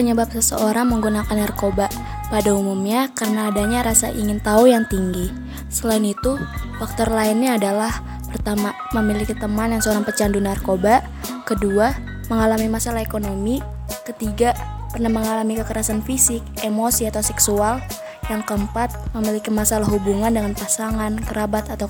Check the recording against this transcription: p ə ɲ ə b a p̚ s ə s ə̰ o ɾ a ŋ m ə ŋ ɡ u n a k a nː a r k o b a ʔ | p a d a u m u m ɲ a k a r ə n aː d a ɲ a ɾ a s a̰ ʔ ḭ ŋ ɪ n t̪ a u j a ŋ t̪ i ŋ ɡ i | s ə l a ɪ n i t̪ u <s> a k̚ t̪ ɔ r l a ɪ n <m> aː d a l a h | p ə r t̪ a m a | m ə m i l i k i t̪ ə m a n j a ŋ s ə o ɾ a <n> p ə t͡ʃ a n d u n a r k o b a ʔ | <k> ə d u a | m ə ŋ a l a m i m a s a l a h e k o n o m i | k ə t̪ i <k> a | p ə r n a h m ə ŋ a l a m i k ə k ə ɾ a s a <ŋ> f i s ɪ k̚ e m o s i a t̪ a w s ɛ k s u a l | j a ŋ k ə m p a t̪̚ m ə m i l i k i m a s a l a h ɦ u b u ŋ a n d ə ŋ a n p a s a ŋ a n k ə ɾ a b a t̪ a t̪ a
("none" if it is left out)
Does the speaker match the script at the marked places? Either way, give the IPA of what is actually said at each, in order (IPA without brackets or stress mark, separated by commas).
f, ɲ, ŋ, k, ɡ, n